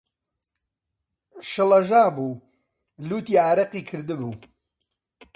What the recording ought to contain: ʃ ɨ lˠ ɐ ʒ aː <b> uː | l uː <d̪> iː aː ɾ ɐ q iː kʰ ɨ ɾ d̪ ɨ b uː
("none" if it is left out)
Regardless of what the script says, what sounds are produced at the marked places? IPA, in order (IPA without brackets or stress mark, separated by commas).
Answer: b, t̪